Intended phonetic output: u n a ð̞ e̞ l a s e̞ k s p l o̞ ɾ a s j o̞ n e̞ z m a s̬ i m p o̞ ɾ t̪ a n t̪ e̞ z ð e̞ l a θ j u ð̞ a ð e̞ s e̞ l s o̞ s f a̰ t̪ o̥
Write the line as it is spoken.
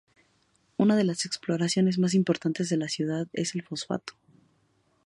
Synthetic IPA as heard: u n a ð̞ e̞ l a s e̞ k s p l o̞ ɾ a s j o̞ n e̞ z m a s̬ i m p o̞ ɾ t̪ a n t̪ e̞ z ð e̞ l a s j u ð̞ a ð e̞ s e̞ l f o̞ s f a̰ t̪ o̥